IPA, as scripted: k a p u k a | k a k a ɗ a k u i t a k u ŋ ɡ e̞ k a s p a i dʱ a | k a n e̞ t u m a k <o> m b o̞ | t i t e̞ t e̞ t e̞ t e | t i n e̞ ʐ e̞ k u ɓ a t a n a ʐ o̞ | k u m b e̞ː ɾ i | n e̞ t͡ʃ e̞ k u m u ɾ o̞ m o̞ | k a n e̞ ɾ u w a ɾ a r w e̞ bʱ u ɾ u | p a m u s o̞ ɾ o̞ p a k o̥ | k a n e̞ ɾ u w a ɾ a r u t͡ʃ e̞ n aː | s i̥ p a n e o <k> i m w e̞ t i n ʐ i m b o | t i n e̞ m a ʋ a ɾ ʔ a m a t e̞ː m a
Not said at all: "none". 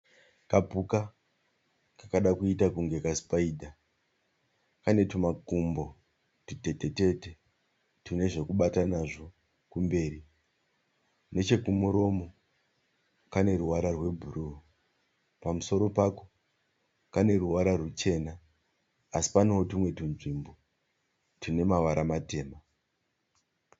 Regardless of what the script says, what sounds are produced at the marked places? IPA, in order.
u, t

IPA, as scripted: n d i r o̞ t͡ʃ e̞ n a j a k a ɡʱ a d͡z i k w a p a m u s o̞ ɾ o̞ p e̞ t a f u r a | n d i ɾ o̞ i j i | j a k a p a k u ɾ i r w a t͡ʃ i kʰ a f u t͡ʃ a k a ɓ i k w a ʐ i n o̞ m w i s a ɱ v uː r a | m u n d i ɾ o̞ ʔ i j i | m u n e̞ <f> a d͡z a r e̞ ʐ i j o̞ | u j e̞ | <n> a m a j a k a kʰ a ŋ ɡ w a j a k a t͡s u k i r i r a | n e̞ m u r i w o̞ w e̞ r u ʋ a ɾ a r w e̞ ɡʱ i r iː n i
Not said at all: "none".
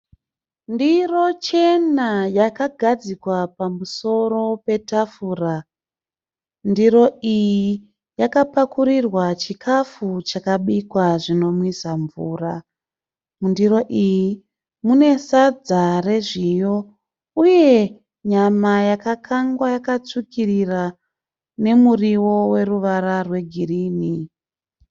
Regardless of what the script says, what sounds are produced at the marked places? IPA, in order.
s, ɲ

